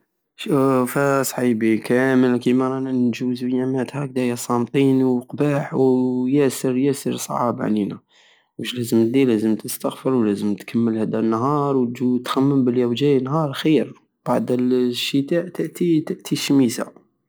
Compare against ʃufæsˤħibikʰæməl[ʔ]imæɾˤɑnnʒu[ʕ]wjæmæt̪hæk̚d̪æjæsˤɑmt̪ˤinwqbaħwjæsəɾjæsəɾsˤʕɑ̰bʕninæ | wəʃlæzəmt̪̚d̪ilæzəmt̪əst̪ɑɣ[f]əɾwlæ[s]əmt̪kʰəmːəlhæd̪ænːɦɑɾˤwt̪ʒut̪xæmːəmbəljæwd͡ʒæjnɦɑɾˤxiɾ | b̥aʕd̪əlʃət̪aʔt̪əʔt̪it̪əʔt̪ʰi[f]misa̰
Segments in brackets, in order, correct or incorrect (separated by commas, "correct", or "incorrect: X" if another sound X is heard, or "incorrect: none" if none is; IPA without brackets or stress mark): incorrect: k, incorrect: z, correct, incorrect: z, incorrect: ʃ